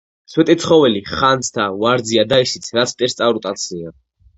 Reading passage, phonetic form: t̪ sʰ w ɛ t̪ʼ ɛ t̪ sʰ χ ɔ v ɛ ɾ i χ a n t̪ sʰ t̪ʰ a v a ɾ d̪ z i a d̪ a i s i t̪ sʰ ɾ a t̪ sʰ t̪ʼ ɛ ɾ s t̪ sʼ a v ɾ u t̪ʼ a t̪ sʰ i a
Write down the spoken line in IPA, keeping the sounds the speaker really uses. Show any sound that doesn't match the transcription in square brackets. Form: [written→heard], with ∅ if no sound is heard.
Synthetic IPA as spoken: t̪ sʰ w ɛ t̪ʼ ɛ t̪ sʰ χ ɔ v ɛ [ɾ→l] i χ a n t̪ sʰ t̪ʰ a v a ɾ d̪ z i a d̪ a i s i t̪ sʰ ɾ a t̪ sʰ t̪ʼ ɛ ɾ s t̪ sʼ a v ɾ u t̪ʼ a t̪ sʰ i a